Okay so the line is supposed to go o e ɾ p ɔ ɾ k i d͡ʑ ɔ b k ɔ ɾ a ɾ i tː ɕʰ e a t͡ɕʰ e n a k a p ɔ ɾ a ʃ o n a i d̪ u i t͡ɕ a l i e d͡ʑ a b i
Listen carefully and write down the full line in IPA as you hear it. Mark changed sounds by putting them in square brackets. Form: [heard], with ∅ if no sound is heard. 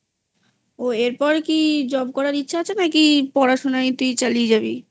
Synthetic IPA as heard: o e ɾ p ɔ ɾ k i d͡ʑ ɔ b k ɔ ɾ a ɾ i tː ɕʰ [a] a t͡ɕʰ e n a k [i] p ɔ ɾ a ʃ o n a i [t̪] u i t͡ɕ a l i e d͡ʑ a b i